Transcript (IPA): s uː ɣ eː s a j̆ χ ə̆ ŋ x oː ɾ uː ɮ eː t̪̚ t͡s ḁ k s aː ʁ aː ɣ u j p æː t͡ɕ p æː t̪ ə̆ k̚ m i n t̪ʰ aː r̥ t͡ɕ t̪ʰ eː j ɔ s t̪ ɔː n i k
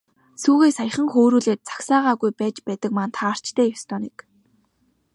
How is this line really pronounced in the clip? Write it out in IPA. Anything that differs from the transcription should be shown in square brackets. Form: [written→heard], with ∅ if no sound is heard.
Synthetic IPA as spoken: s uː ɣ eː s a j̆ χ ə̆ ŋ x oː ɾ uː ɮ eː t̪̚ t͡s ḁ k s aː ʁ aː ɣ u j p æː t͡ɕ p æː t̪ ə̆ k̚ m [i→a] n t̪ʰ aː r̥ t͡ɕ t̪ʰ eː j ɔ s t̪ ɔː n i k